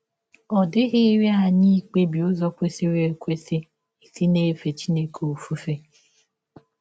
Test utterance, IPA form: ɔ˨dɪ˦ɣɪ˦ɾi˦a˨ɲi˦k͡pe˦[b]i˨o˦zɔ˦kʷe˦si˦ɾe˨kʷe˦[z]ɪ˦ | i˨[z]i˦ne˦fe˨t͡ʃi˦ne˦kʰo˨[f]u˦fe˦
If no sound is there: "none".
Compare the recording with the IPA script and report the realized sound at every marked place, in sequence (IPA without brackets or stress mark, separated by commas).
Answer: b, s, s, f